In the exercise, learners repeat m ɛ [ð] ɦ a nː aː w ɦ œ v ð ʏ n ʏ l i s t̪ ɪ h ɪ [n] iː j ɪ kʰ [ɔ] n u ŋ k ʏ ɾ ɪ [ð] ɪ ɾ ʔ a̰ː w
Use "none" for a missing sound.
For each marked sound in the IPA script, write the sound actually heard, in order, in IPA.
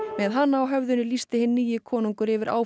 ð, nː, ɔː, v

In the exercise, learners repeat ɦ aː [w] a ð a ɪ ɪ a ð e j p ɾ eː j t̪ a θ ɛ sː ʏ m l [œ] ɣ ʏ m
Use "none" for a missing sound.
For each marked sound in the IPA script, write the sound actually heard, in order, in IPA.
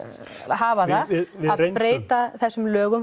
v, œː

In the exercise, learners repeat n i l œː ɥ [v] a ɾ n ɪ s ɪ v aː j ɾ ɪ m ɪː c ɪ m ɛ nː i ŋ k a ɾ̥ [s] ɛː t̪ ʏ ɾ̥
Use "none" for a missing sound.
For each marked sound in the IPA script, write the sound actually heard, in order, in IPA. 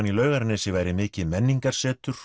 ɣ, s

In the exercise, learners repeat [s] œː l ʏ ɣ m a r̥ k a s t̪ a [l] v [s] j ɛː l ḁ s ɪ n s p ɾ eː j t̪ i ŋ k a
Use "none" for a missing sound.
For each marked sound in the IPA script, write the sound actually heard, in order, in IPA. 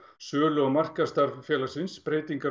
s, ɾ, f

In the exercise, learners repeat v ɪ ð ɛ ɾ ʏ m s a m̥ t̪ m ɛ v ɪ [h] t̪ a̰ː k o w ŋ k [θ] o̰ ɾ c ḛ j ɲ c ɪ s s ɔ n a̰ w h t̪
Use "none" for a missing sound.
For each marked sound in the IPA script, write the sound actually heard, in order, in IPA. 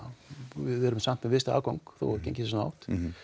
s, θ

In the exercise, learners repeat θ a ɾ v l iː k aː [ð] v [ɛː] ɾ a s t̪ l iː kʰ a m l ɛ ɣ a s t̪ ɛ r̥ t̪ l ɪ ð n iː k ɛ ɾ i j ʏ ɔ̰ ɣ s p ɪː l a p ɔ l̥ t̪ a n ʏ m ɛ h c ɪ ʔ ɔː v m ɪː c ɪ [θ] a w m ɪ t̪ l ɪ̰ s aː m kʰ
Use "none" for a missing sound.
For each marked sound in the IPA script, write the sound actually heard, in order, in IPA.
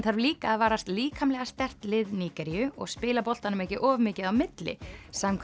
ð, aː, ð

